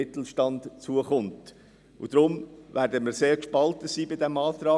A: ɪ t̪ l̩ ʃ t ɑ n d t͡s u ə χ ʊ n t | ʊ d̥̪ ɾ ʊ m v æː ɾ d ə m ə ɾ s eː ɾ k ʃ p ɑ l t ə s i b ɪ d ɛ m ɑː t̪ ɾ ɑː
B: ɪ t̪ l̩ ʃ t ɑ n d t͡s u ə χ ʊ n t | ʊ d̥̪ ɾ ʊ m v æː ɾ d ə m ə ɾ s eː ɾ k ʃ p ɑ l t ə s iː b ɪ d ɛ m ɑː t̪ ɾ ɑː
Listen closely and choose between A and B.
B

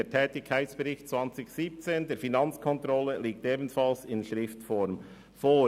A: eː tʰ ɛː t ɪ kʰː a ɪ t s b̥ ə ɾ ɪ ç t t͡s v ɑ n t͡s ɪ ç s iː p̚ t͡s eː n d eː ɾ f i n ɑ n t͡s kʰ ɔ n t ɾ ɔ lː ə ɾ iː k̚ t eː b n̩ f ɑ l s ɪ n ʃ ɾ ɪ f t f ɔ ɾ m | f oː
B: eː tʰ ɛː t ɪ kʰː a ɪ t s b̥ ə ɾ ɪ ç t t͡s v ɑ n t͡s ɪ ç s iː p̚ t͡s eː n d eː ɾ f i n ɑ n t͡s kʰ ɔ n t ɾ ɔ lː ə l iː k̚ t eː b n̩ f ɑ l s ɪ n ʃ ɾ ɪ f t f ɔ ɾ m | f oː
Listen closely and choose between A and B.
B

